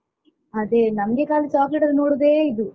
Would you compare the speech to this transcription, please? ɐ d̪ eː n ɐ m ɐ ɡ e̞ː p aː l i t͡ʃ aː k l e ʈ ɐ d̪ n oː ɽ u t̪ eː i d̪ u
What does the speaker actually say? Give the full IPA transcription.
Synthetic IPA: ɐ d̪ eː n ɐ m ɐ ɡ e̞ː k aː l i t͡ʃ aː k l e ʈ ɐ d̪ n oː ɽ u d̪ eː i d̪ u